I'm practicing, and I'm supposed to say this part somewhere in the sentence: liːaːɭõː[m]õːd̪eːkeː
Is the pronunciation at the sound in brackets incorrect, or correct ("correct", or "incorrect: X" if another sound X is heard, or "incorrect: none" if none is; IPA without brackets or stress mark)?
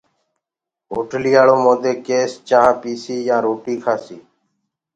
correct